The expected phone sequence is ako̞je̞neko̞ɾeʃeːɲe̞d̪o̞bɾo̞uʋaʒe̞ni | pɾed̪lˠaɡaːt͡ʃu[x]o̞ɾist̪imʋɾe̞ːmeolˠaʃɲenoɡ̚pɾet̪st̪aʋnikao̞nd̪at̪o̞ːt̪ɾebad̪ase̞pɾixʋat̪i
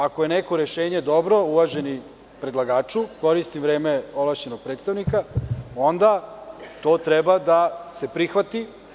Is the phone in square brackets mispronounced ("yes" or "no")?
yes